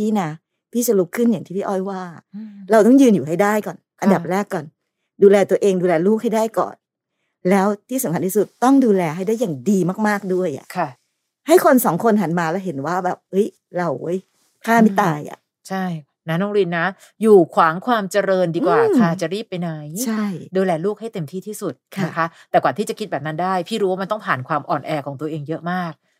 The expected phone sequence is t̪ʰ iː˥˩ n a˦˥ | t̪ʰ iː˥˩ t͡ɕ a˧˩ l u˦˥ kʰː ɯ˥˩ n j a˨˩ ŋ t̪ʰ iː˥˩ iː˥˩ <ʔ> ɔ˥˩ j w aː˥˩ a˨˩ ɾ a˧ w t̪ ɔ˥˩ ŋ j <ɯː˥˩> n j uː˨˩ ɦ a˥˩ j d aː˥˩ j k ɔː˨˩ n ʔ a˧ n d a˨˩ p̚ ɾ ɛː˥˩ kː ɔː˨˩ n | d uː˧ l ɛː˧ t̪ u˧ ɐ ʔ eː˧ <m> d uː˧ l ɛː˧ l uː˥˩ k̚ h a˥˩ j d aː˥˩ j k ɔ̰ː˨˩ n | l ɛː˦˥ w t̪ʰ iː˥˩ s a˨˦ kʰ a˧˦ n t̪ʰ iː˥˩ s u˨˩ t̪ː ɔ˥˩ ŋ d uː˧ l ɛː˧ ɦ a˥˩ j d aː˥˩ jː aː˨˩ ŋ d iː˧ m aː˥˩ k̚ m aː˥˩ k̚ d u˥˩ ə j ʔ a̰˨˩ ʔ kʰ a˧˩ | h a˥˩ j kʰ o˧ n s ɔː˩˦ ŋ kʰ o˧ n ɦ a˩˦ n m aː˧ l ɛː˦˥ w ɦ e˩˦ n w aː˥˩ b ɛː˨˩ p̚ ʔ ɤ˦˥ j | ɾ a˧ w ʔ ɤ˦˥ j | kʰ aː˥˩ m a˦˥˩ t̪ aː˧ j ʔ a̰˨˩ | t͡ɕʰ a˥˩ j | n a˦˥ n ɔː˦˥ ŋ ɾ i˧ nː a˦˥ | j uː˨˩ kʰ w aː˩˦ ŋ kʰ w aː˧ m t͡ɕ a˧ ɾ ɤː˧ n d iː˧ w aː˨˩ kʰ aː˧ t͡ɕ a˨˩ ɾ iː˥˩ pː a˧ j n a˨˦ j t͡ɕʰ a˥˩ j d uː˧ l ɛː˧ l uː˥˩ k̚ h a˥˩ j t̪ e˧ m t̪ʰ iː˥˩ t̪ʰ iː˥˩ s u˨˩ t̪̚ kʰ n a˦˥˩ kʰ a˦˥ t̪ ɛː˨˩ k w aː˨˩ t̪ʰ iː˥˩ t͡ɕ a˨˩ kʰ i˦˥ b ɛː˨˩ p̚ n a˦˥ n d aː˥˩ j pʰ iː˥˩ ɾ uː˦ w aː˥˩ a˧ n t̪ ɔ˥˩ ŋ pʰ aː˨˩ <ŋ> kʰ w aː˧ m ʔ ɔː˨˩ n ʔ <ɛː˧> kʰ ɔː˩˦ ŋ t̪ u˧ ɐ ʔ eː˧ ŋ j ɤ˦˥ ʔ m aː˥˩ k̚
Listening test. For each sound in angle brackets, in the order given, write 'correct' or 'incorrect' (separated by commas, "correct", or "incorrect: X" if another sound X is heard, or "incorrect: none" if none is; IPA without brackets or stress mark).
correct, incorrect: ɯː˧, incorrect: ŋ, incorrect: n, correct